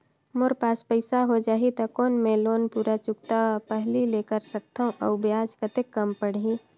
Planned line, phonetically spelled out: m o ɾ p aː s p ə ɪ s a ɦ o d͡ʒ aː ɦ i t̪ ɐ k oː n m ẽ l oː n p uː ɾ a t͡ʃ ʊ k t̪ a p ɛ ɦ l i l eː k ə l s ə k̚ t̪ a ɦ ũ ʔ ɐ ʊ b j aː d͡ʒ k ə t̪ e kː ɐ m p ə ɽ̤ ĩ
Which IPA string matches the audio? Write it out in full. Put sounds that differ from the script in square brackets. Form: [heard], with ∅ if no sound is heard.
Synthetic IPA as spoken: m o ɾ p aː s p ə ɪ s a ɦ o d͡ʒ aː ɦ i t̪ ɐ k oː n m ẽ l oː n p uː ɾ a t͡ʃ ʊ k t̪ a p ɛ ɦ l i l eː k ə [ɾ] s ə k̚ t̪ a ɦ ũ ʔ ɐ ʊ b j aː d͡ʒ k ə t̪ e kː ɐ m p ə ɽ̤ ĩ